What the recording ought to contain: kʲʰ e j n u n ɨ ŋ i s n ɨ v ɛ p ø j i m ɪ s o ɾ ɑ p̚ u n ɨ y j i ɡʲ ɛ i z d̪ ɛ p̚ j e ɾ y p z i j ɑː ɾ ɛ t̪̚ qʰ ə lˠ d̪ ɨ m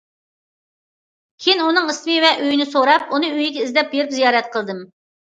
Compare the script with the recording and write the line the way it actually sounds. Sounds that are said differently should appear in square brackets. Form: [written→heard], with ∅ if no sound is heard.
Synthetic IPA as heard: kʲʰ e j n u n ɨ ŋ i s [n→m] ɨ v ɛ [p→ʔ] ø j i [m→n] ɪ s o ɾ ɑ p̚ u n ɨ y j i ɡʲ ɛ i z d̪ ɛ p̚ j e ɾ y p z i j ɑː ɾ ɛ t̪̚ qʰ ə lˠ d̪ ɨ m